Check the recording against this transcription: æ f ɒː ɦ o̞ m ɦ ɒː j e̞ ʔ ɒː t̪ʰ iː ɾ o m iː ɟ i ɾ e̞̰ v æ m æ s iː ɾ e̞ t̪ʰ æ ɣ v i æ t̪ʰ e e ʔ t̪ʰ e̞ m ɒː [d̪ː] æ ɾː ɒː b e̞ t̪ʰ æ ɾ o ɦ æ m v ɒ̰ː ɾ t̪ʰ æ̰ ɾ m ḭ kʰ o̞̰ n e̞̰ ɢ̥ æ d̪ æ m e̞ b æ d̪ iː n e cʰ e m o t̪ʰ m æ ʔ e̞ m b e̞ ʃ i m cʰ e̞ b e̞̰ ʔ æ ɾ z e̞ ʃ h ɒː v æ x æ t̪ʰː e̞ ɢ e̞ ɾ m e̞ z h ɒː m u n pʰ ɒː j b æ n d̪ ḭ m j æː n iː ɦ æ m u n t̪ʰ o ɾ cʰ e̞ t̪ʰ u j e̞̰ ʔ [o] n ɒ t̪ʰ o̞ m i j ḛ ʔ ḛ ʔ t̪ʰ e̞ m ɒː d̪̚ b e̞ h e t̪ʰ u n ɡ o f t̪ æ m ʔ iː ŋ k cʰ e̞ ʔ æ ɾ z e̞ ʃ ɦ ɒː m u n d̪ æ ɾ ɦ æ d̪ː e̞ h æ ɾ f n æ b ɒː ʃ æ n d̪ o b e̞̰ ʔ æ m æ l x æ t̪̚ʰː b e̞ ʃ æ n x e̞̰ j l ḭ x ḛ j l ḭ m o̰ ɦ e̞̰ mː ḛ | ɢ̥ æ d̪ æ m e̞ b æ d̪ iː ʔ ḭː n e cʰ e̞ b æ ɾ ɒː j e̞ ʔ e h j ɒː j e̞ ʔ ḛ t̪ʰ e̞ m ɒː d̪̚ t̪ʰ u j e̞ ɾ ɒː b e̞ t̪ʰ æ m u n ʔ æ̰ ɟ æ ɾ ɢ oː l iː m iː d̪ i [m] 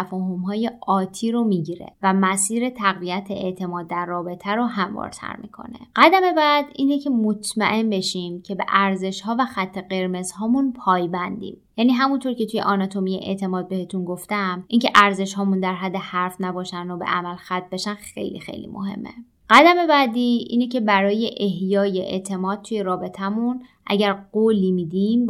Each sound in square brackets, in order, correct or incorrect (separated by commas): correct, incorrect, correct